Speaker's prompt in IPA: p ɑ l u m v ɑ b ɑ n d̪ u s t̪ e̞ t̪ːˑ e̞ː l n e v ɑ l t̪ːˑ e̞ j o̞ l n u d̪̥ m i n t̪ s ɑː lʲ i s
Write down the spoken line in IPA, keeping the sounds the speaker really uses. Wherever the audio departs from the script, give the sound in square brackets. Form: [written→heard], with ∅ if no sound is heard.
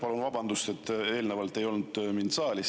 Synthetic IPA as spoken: p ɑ l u [m→n] v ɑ b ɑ n d̪ u s t̪ e̞ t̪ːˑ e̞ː l n e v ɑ l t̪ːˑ e̞ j o̞ l n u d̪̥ m i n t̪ s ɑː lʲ i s